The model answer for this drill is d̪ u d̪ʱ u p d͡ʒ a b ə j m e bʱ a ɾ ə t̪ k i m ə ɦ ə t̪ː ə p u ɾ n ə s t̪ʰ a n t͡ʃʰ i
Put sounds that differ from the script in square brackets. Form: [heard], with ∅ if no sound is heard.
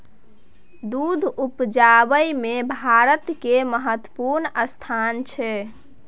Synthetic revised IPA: d̪ u d̪ʱ u p d͡ʒ a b ə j m e bʱ a ɾ ə t̪ k [e] m ə ɦ ə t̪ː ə p u ɾ n ə s t̪ʰ a n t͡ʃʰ [ɛ]

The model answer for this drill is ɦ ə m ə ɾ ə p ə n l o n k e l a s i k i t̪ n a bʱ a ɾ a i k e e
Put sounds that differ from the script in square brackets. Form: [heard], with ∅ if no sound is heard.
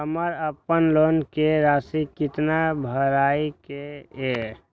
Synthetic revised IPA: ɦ ə m ə ɾ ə p ə n l o n k e [ɾ] a s i k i t̪ n a bʱ [ə] ɾ a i k e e

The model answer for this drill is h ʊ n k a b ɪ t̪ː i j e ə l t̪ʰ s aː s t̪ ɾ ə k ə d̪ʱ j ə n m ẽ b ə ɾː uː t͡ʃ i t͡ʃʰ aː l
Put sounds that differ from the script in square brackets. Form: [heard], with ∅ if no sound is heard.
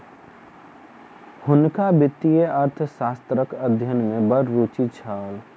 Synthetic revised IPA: h ʊ n k a b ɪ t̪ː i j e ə [ɾ] t̪ʰ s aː s t̪ ɾ ə k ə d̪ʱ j ə n m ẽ b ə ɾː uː t͡ʃ i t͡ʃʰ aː l

